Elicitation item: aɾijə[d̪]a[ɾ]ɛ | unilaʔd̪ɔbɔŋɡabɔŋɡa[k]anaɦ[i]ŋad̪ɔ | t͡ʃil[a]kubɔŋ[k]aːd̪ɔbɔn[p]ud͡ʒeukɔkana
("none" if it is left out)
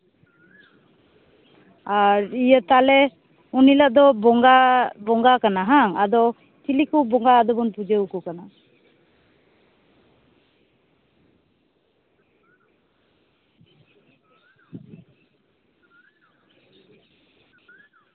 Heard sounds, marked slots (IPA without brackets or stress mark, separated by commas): t̪, l, k, a, i, ɡ, p